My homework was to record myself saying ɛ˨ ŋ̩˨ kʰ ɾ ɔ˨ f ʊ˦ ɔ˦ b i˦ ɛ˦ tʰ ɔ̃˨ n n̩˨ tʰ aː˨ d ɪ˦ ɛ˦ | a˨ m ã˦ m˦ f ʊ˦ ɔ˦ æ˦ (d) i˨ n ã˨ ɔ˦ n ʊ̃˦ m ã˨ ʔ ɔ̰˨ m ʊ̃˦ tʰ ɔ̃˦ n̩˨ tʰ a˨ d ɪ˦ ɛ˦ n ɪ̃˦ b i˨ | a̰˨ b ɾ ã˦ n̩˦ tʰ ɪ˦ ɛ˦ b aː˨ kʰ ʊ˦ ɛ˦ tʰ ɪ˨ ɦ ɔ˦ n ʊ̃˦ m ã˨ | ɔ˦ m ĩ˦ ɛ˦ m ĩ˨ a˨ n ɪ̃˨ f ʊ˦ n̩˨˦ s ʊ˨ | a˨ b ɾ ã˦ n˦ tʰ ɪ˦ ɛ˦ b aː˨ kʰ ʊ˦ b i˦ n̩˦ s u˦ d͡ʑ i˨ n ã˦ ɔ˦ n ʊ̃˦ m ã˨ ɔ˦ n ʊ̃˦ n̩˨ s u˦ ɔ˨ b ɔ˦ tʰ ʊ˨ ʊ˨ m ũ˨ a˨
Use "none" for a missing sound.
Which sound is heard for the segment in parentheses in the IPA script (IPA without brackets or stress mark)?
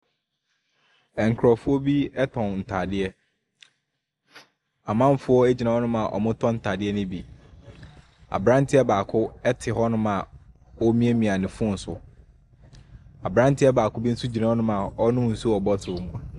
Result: d͡ʑ